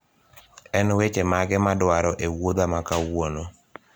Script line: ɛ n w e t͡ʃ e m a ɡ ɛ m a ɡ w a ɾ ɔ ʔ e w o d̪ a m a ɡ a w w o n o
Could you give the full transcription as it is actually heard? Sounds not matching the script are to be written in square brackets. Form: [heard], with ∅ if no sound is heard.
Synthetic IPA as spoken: ɛ n w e t͡ʃ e m a ɡ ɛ m a [d] w a ɾ ɔ ʔ e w o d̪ a m a [k] a w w o n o